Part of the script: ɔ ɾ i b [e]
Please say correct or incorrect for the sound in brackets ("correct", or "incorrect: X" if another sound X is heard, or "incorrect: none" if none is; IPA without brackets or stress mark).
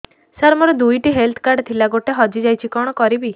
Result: incorrect: i